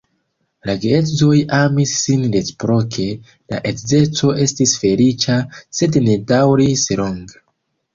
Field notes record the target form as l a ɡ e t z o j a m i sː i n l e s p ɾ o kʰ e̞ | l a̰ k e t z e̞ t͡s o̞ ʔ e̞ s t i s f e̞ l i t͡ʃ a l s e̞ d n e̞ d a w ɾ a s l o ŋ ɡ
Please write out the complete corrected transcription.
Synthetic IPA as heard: l a ɡ e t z o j a m i sː i n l e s p ɾ o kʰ e̞ | l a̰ ʔ e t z e̞ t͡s o̞ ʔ e̞ s t i s f e̞ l i t͡ʃ a s e̞ d n e̞ d a w ɾ i s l o ŋ ɡ

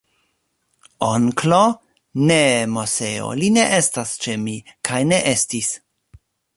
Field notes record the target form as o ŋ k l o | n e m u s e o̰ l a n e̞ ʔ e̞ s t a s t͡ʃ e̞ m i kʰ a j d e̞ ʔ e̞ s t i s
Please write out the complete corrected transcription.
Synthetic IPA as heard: o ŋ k l o | n e m o s e o̰ l i n e̞ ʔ e̞ s t a s t͡ʃ e̞ m i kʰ a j n e̞ ʔ e̞ s t i s

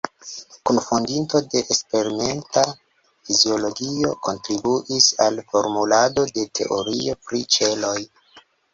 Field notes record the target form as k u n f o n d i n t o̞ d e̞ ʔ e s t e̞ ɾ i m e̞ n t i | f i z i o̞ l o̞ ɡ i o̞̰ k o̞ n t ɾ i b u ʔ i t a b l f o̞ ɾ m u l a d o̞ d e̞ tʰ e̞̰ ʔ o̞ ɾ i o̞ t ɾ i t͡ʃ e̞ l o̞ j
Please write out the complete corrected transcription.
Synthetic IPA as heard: k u n f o n d i n t o̞ d e̞ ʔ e s p e̞ ɾ i m e̞ n t a | f i z i o̞ l o̞ ɡ i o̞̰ k o̞ n t ɾ i b u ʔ i s a l f o̞ ɾ m u l a d o̞ d e̞ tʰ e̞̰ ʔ o̞ ɾ i o̞ p ɾ i t͡ʃ e̞ l o̞ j

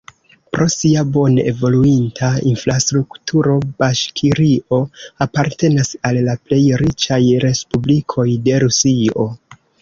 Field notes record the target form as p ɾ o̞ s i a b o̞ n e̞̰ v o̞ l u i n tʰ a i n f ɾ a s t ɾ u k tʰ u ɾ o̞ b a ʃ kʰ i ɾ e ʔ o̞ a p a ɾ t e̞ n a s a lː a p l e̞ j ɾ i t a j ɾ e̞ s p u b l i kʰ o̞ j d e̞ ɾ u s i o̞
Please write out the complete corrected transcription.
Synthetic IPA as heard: p ɾ o̞ s i a b o̞ n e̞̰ v o̞ l u i n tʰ a i n f ɾ a s t ɾ u k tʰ u ɾ o̞ b a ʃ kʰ i ɾ i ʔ o̞ a p a ɾ t e̞ n a s a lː a p l e̞ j ɾ i t͡ʃ a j ɾ e̞ s p u b l i kʰ o̞ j d e̞ ɾ u s i o̞

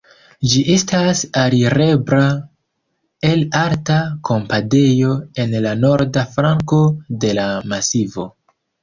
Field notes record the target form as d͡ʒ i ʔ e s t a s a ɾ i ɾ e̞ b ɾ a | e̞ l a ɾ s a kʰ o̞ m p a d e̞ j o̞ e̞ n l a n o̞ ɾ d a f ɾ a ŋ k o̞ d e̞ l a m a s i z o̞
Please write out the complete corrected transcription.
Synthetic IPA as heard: d͡ʒ i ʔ e s t a s a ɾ i ɾ e̞ b ɾ a | e̞ l a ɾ t a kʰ o̞ m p a d e̞ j o̞ e̞ n l a n o̞ ɾ d a f ɾ a ŋ k o̞ d e̞ l a m a s i v o̞

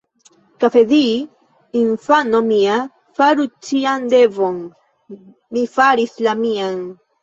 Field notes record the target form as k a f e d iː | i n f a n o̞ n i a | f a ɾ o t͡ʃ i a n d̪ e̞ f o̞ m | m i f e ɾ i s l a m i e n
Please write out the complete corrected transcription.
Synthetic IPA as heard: k a f e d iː | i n f a n o̞ m i a | f a ɾ u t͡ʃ i a n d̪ e̞ v o̞ n | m i f a ɾ i s l a m i a n

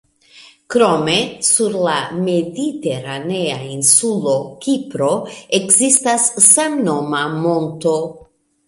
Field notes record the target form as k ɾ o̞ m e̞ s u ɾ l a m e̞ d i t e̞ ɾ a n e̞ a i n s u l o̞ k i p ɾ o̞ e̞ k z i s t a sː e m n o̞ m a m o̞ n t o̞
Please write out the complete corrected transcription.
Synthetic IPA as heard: k ɾ o̞ m e̞ s u ɾ l a m e̞ d i t e̞ ɾ a n e̞ a i n s u l o̞ k i p ɾ o̞ e̞ k z i s t a sː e m n o̞ m a m o̞ n t o̞

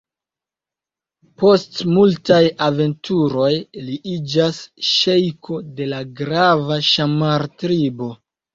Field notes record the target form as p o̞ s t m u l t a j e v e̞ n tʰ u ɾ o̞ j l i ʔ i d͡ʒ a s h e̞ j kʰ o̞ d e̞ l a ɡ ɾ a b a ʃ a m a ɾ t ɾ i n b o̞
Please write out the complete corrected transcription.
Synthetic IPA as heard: p o̞ s t m u l t a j a v e̞ n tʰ u ɾ o̞ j l i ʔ i d͡ʒ a s ʃ e̞ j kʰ o̞ d e̞ l a ɡ ɾ a v a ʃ a m a ɾ t ɾ i b o̞

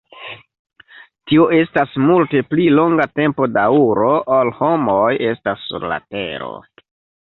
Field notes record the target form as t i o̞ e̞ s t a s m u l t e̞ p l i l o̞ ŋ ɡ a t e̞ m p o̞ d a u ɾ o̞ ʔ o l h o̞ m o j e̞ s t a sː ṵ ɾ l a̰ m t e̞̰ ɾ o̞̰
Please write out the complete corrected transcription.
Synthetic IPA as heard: t i o̞ e̞ s t a s m u l t e̞ p l i l o̞ ŋ ɡ a t e̞ m p o̞ d a u ɾ o̞ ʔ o l h o̞ m o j e̞ s t a sː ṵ ɾ l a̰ t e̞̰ ɾ o̞̰

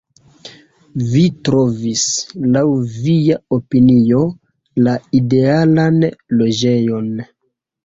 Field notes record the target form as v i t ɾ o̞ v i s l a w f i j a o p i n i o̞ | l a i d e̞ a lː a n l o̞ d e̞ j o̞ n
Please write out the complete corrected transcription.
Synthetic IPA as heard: v i t ɾ o̞ v i s l a w v i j a o p i n i o̞ | l a i d e̞ a l a n l o̞ d͡ʒ e̞ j o̞ n

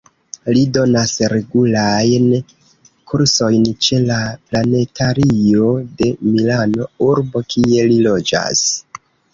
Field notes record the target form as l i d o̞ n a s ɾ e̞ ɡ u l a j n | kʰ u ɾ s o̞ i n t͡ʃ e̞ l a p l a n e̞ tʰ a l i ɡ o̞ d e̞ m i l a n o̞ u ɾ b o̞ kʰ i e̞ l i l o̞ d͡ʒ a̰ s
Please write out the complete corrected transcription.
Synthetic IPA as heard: l i d o̞ n a s ɾ e̞ ɡ u l a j n | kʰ u ɾ s o̞ j n t͡ʃ e̞ l a p l a n e̞ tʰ a ɾ i o̞ d e̞ m i l a n o̞ u ɾ b o̞ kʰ i e̞ l i l o̞ d͡ʒ a̰ s

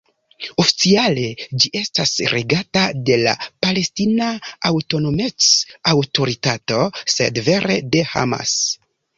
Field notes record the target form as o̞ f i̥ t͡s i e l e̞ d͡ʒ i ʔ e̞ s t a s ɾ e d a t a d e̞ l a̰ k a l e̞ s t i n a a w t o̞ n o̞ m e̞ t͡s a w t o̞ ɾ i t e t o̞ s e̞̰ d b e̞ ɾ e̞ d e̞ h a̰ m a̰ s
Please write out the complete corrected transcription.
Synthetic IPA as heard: o̞ f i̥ t͡s i a l e̞ d͡ʒ i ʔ e̞ s t a s ɾ e ɡ a t a d e̞ l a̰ p a l e̞ s t i n a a w t o̞ n o̞ m e̞ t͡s a w t o̞ ɾ i t a t o̞ s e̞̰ d v e̞ ɾ e̞ d e̞ h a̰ m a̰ s

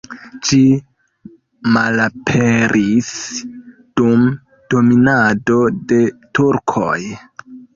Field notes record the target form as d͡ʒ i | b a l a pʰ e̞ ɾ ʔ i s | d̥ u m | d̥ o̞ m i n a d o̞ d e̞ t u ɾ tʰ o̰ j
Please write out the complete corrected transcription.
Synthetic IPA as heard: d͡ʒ i | m a l a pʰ e̞ ɾ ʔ i s | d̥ u m | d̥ o̞ m i n a d o̞ d e̞ t u ɾ kʰ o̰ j

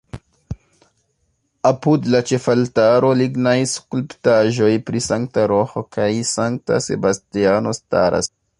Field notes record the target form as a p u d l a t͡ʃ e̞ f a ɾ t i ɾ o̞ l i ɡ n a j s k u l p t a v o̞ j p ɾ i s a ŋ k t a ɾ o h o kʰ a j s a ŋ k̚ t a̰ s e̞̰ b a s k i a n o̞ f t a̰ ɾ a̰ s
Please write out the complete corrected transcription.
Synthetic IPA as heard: a p u d l a t͡ʃ e̞ f a l t a ɾ o̞ l i ɡ n a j s k u l p t a ʒ o̞ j p ɾ i s a ŋ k t a ɾ o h o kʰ a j s a ŋ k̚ t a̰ s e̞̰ b a s t i a n o̞ s t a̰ ɾ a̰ s

